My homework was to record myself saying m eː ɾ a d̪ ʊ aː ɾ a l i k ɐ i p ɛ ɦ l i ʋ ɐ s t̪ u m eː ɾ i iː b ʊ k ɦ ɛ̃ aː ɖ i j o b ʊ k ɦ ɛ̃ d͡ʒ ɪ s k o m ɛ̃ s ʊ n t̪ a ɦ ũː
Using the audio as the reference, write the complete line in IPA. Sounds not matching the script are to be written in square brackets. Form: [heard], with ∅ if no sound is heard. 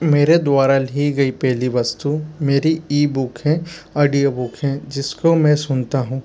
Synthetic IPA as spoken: m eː ɾ [e] d̪ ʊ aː ɾ a l i [ɡ] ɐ i p ɛ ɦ l i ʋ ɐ s t̪ u m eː ɾ i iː b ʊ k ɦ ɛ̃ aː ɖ i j o b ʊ k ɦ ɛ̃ d͡ʒ ɪ s k o m ɛ̃ s ʊ n t̪ a ɦ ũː